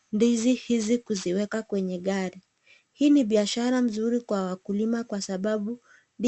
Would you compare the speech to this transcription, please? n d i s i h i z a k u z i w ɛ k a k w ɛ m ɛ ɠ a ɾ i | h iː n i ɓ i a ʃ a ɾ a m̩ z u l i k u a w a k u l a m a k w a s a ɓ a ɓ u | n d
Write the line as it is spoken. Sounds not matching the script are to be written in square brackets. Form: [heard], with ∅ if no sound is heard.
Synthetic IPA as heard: n d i [z] i h i z [i] k u z i w ɛ k a k w ɛ [ɲ] ɛ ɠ a ɾ i | h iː n i ɓ i a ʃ a ɾ a m̩ z u [ɾ] i k [w] a w a k u l [i] m a k w a s a ɓ a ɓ u | n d